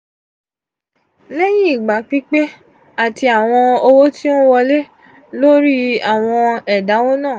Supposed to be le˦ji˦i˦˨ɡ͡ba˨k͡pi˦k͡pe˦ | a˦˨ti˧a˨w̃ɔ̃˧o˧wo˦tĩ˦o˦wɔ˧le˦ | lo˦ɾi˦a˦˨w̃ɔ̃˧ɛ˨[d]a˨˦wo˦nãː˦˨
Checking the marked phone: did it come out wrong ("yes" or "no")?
no